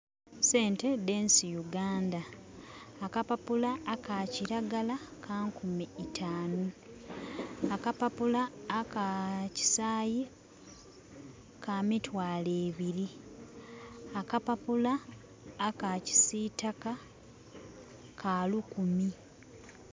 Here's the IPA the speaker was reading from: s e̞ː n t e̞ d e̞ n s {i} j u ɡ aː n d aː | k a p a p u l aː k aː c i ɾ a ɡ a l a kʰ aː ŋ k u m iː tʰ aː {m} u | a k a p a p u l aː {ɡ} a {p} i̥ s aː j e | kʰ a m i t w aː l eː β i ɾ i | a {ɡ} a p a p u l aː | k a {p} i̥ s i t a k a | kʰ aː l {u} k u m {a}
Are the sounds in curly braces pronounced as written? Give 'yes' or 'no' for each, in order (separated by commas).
yes, no, no, no, no, no, yes, no